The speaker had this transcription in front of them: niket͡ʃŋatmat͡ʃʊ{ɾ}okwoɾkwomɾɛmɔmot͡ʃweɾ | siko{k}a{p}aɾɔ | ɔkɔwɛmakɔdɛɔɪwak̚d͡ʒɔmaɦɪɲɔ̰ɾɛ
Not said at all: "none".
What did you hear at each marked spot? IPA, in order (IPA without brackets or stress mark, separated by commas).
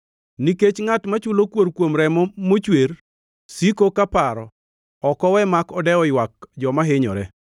l, k, p